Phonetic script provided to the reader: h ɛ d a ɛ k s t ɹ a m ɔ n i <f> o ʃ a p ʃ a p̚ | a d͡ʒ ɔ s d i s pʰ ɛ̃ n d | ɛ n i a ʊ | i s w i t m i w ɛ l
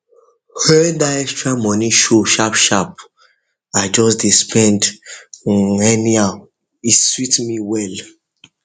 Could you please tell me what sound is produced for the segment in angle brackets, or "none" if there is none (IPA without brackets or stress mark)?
ʃ